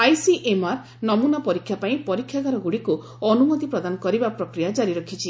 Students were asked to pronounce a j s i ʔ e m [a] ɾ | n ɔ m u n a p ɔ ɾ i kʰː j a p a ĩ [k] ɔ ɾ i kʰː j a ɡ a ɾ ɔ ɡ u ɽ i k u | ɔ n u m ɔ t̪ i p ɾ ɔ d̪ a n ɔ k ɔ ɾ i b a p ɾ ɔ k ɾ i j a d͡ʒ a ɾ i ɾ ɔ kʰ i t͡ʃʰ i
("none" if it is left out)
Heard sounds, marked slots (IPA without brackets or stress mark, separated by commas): a, p